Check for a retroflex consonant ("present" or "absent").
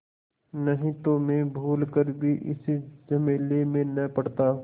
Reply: present